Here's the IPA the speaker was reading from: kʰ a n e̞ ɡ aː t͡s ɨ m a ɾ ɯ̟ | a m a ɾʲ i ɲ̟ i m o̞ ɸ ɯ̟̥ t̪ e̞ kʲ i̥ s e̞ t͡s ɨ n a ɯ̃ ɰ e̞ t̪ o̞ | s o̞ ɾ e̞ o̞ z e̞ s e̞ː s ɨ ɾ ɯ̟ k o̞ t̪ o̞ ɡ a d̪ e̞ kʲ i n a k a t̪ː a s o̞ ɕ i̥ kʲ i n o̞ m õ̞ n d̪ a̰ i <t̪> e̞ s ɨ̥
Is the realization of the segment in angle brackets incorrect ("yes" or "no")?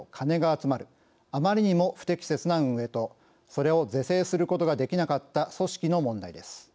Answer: yes